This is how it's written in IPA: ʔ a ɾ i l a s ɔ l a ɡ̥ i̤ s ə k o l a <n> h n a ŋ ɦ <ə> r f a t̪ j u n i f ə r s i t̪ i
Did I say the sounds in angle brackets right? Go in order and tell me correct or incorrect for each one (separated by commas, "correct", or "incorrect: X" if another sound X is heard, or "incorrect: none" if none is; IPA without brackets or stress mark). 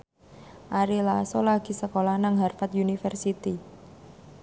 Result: incorrect: none, incorrect: a